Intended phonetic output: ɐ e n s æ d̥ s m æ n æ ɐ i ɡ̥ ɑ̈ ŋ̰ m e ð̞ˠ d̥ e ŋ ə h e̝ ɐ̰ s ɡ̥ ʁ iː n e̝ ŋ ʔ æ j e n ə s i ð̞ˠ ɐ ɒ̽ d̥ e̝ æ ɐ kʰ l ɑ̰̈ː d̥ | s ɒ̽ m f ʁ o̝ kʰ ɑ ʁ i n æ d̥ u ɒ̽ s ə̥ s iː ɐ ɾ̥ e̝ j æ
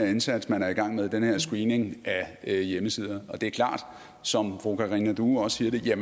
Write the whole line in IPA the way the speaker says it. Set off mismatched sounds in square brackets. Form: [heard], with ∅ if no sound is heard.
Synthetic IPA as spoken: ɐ e n s æ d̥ s m æ n æ ɐ i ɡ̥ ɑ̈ ŋ̰ m e ð̞ˠ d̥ e [n] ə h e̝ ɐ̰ s ɡ̥ ʁ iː n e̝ ŋ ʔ æ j e [m] ə s i ð̞ˠ ɐ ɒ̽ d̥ e̝ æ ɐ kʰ l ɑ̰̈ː d̥ | s ɒ̽ m f ʁ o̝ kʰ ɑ ʁ i n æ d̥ u ɒ̽ s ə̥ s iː ɐ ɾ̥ e̝ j æ